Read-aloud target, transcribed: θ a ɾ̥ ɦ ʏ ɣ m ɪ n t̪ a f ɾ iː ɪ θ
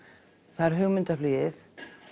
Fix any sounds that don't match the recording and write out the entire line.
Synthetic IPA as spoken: θ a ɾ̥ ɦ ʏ ɣ m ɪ n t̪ a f l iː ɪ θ

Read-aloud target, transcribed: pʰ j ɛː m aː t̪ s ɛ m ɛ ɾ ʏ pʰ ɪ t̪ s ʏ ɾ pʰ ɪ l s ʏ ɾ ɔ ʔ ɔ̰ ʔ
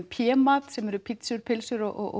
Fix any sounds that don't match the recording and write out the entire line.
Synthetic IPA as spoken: pʰ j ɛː m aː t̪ s ɛ m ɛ ɾ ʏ pʰ ɪ t̪ s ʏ ɾ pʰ ɪ l s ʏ ɾ ɔ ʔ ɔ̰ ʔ

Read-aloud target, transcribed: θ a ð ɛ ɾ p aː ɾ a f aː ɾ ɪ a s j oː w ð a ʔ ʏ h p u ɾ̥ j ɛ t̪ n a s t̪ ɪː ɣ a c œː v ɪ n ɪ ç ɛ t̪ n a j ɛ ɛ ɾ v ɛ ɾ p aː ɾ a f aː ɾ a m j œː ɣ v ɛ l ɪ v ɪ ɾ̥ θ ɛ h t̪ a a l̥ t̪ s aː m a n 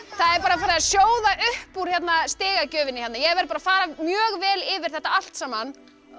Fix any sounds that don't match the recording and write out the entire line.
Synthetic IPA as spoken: θ a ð ɛ ɾ p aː ɾ a f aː ɾ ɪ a s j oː w ð a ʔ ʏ h p u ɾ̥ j ɛ t̪ n a s t̪ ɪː ɣ a c œː v ɪ n ɪ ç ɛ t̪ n a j ɛ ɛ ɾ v ɛ ɾ p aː ɾ a f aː ɾ a m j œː ɣ v ɛː l ɪ v ɪ ɾ̥ θ ɛ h t̪ a a l̥ t̪ s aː m a n

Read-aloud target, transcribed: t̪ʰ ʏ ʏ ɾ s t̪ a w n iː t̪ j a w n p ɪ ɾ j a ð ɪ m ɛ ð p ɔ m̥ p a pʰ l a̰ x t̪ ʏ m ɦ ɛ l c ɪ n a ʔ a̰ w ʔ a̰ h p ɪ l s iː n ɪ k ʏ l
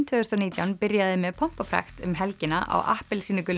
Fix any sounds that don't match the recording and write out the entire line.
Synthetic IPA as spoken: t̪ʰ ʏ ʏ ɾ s t̪ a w n iː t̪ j a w n p ɪ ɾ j a ð ɪ m ɛ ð pʰ ɔ m̥ p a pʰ ɾ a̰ x t̪ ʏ m ɦ ɛ l c ɪ n a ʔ a̰ w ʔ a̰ h p ɪ l s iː n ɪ k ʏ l

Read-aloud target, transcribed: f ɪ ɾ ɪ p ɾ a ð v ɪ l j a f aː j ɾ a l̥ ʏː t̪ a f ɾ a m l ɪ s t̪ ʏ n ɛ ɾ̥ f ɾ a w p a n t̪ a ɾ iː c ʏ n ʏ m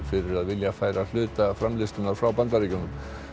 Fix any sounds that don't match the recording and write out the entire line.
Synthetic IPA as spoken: f ɪ ɾ ɪ ɾ a ð v ɪ l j a f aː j ɾ a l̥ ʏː t̪ a f ɾ a m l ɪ s t̪ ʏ n a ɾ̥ f ɾ a w p a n t̪ a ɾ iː c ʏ n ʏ m

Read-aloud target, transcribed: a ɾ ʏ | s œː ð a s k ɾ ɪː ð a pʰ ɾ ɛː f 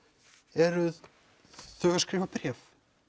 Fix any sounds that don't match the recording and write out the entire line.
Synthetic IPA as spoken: ɛ ɾ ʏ | θ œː ɣ a s k ɾ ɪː v a p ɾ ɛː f

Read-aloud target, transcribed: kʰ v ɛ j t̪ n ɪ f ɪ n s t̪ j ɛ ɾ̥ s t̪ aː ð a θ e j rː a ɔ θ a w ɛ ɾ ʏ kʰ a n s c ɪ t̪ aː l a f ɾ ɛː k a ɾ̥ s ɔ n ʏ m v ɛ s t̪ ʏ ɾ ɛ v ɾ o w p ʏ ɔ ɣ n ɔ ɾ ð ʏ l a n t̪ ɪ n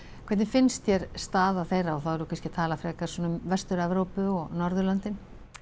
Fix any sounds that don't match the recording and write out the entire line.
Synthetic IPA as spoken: kʰ v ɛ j t̪ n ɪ f ɪ n s t̪ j ɛ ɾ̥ s t̪ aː ð a θ e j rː a ɔ θ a w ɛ ɾ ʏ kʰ a n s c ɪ t̪ʰ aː l a f ɾ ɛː k a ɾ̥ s ɔ n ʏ m v ɛ s t̪ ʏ ɾ ɛ v ɾ o w p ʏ ɔ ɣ n ɔ ɾ ð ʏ l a n t̪ ɪ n

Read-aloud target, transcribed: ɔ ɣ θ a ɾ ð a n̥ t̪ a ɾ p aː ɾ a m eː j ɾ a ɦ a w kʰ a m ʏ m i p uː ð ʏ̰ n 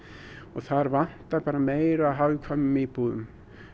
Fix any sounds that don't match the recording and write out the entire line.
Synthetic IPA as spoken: ɔ ɣ θ a ɾ v a n̥ t̪ a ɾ p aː ɾ a m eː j ɾ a ɦ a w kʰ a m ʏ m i p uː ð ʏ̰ m

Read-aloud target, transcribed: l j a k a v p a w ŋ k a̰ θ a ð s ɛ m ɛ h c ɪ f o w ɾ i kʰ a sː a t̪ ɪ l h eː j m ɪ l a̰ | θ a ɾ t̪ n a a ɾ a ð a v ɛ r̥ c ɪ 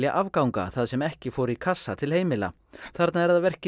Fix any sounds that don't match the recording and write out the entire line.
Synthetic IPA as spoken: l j a ʔ a v k a w ŋ k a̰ θ a ð s ɛ m ɛ h c ɪ f o w ɾ i kʰ a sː a t̪ʰ ɪ l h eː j m ɪ l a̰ | θ a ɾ t̪ n a ɛ ɾ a ð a v ɛ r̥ c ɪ

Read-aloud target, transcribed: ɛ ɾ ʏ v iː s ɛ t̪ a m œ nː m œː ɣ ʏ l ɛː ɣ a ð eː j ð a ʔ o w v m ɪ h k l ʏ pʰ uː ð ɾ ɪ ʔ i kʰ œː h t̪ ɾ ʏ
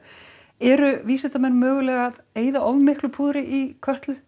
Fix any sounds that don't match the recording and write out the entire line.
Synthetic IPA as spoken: ɛ ɾ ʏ v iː s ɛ t̪ a m ɛ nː m œː ɣ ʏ l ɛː ɣ a ð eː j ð a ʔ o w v m ɪ h k l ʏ pʰ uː ð ɾ ɪ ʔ i kʰ œ h t̪ l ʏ

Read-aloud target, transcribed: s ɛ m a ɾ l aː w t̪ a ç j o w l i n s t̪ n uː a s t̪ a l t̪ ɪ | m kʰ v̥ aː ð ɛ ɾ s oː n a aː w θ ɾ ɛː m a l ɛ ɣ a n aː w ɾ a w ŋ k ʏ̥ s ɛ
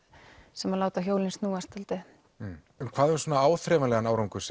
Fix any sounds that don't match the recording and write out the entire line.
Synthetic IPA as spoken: s ɛ m a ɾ l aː w t̪ a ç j o w l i n s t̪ n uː a s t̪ a l t̪ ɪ | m kʰ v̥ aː ð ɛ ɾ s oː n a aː w θ ɾ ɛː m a l ɛ ɣ a n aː w ɾ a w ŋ k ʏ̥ s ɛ

